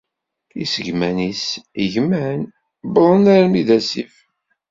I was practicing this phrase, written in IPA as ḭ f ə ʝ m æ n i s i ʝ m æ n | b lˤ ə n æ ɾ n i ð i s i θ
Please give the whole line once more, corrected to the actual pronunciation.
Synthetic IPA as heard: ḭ s ə ʝ m æ n i s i ʝ m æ n | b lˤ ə n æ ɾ m i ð æ s i f